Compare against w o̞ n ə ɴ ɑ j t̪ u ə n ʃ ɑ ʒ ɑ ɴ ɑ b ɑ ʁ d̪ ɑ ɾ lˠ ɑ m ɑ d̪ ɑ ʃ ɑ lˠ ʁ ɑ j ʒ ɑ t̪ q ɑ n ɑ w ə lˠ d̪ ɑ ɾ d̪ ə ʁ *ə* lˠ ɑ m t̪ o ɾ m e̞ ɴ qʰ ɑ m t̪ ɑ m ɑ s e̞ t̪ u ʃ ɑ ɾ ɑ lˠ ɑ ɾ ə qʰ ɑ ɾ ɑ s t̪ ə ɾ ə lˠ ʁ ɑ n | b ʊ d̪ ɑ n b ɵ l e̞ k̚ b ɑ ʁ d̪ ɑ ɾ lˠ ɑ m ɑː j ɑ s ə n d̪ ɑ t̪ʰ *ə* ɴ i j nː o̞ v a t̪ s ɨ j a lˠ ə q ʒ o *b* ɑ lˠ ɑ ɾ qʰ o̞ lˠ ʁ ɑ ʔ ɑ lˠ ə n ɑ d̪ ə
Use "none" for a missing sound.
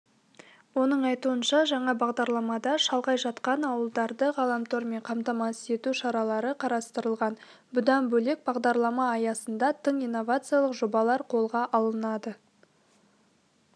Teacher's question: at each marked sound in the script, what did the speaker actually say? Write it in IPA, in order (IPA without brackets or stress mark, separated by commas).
ɑ, ə, b